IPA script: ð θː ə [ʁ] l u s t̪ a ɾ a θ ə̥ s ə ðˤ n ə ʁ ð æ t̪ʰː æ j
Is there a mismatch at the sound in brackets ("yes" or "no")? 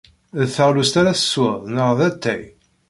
no